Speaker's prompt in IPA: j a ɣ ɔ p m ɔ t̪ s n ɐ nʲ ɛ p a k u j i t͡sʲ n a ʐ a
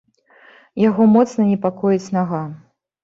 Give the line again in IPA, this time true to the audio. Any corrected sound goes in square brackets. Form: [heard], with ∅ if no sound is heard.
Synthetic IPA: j a ɣ ɔ [∅] m ɔ t̪ s n ɐ nʲ ɛ p a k [ɔ] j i t͡sʲ n a [ɣ] a